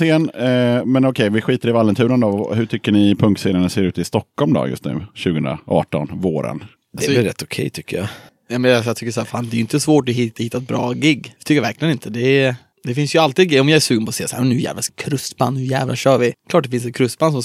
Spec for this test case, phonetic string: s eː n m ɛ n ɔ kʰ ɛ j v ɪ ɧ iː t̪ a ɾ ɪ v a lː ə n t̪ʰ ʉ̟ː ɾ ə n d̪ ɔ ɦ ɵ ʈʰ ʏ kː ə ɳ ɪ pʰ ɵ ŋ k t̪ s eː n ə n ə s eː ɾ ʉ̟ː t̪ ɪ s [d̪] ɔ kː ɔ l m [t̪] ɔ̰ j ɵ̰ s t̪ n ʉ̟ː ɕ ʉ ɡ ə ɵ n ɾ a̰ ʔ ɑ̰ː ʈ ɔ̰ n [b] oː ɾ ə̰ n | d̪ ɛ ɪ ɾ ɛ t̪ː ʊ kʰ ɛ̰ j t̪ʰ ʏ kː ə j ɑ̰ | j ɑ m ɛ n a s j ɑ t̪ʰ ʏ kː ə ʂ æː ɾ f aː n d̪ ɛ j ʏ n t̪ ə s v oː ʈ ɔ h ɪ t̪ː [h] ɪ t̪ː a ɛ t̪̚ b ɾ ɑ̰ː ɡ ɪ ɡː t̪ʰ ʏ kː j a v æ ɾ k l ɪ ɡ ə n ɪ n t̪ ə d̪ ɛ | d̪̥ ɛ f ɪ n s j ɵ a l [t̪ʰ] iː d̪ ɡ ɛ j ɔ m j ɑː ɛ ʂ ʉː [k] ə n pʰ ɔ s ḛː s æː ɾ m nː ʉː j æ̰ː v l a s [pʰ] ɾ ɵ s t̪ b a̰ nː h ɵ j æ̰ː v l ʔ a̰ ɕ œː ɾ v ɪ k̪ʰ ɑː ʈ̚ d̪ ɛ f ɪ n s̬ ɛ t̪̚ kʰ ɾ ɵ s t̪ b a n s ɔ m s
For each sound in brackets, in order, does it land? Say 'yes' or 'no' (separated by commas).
no, no, no, yes, no, no, no